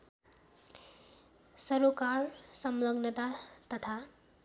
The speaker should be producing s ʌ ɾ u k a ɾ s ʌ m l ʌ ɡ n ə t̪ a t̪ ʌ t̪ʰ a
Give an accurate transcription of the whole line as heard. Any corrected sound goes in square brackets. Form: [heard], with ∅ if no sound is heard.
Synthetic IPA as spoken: s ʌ ɾ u k a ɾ s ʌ m l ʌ ɡ n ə t̪ a t̪ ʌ t̪ʰ a